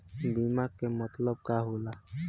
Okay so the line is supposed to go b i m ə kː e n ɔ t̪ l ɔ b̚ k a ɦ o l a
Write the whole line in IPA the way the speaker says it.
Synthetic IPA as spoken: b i m a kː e m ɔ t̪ l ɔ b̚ k a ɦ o l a